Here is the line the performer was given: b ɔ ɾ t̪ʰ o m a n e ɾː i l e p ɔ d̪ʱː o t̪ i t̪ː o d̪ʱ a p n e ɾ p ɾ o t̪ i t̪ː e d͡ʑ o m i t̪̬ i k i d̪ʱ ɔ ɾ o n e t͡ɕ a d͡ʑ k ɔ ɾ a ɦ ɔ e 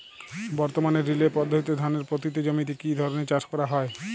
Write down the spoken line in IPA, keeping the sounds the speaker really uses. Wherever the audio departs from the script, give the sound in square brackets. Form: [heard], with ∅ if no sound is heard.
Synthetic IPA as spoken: b ɔ ɾ [t̪] o m a n e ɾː i l e p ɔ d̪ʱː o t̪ i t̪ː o d̪ʱ a [∅] n e ɾ p ɾ o t̪ i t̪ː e d͡ʑ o m i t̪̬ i k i d̪ʱ ɔ ɾ o n e t͡ɕ a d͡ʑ k ɔ ɾ a ɦ ɔ e